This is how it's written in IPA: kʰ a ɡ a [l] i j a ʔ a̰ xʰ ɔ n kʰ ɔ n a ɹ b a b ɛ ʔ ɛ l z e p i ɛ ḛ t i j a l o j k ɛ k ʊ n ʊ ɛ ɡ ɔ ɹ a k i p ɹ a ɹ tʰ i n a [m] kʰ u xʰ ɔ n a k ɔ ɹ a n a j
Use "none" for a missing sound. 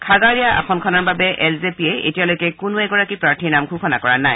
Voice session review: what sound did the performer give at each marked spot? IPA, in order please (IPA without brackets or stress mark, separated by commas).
ɹ, m